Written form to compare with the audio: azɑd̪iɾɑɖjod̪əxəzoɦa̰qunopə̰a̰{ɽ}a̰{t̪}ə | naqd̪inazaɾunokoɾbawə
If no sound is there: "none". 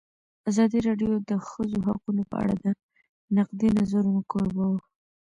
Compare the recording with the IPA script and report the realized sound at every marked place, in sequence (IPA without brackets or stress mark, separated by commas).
ɽ, d̪